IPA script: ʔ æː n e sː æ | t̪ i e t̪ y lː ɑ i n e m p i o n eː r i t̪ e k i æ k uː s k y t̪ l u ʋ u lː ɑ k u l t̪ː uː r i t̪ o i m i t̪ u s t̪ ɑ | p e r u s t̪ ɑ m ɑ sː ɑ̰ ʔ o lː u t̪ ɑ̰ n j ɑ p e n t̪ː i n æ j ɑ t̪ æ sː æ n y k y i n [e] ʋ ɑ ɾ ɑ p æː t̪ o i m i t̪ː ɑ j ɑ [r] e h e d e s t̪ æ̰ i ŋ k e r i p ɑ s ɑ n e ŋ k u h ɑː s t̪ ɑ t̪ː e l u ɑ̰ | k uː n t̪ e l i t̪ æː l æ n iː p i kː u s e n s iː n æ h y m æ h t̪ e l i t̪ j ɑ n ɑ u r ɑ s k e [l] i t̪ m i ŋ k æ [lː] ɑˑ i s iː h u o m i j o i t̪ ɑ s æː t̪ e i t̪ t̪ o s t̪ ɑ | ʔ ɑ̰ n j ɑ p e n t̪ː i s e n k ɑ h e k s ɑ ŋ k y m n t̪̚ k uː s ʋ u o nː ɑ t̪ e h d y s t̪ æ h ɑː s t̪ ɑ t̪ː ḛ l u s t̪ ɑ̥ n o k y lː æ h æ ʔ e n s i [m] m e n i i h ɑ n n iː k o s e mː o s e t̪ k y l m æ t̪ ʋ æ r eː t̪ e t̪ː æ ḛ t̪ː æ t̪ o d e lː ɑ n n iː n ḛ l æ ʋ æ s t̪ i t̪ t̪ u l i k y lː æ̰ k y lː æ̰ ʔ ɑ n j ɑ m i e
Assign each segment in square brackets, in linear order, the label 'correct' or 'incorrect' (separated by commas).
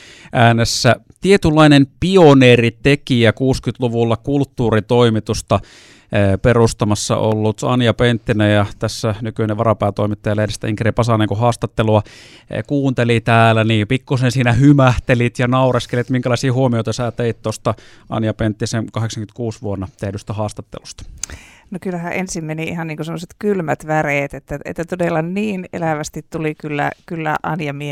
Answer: correct, incorrect, correct, incorrect, correct